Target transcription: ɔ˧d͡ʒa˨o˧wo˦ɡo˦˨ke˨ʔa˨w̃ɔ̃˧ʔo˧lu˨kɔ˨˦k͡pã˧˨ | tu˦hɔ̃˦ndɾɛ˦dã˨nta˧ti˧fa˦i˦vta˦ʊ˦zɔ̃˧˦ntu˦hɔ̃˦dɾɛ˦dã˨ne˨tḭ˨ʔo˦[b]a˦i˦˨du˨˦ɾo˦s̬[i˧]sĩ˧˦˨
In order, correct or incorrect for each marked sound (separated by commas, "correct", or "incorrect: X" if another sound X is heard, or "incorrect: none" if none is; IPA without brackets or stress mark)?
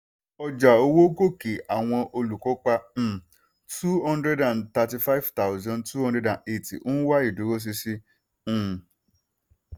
incorrect: w, correct